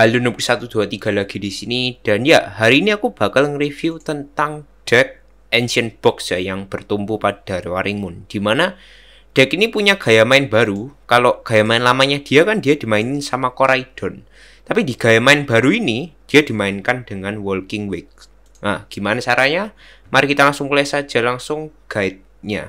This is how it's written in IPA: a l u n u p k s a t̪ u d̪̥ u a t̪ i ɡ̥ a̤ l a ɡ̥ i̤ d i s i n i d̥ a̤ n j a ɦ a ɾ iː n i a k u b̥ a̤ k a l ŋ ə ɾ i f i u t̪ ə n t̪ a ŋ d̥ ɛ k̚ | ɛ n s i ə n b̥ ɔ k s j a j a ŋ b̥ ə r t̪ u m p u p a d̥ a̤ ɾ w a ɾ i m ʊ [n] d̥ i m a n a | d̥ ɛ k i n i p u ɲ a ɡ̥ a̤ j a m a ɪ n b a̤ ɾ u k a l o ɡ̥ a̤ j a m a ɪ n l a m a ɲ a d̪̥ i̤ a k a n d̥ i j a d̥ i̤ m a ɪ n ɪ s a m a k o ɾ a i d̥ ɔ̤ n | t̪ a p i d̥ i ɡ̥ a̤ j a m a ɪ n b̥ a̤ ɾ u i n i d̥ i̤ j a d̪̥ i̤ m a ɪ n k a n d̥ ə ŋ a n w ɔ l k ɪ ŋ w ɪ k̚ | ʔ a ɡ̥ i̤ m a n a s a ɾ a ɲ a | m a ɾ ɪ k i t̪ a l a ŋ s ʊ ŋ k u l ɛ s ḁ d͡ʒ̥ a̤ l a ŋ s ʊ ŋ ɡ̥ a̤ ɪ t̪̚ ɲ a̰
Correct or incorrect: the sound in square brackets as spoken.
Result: correct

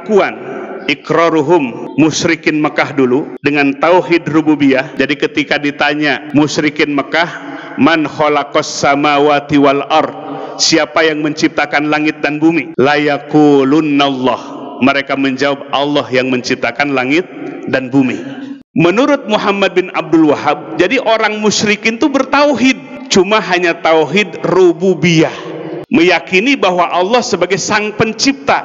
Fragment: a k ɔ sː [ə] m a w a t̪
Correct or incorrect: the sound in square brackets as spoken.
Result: incorrect: a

